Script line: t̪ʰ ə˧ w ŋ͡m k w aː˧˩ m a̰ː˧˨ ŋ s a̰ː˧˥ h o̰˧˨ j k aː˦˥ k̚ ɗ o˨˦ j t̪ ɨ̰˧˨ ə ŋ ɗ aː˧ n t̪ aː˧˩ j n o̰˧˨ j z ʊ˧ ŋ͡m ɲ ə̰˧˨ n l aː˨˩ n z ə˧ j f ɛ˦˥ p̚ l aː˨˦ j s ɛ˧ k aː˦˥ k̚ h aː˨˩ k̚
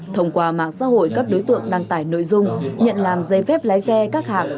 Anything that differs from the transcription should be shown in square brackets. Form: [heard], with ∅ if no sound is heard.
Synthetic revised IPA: t̪ʰ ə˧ w ŋ͡m k w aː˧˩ m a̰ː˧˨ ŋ s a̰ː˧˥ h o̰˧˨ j k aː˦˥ k̚ ɗ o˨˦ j t̪ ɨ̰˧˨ ə ŋ ɗ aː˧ [ŋ] t̪ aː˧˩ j n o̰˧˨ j z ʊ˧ ŋ͡m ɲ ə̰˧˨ n l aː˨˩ [m] z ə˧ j f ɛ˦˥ p̚ l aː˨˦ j s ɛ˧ k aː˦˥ k̚ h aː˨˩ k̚